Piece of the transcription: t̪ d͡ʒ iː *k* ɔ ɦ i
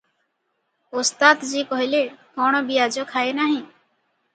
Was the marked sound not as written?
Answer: no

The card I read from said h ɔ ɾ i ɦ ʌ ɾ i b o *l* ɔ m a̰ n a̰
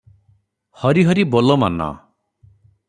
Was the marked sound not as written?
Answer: no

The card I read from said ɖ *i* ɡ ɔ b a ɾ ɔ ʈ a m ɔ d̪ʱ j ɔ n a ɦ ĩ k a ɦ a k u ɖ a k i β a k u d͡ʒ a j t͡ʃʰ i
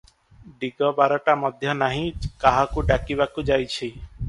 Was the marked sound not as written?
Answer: no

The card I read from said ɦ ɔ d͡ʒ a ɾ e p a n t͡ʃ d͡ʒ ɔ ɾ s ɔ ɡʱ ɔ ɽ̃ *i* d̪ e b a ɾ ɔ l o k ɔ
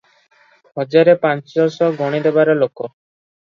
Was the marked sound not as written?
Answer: no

